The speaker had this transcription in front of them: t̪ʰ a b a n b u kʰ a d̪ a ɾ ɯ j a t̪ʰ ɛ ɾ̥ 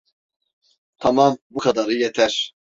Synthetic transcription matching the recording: t̪ʰ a m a m b u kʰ a d̪ a ɾ ɯ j ɛ t̪ʰ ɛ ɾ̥